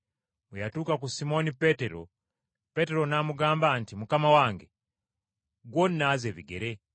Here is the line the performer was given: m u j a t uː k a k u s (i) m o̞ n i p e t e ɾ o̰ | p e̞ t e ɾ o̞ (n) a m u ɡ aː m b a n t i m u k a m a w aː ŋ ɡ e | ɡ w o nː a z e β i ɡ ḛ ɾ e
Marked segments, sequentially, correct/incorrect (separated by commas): correct, correct